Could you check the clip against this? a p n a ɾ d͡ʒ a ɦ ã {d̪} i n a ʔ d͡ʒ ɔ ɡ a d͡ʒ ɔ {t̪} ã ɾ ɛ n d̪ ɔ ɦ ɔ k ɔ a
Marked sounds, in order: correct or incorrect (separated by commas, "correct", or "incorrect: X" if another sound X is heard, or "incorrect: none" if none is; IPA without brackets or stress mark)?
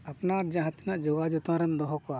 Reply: incorrect: t̪, correct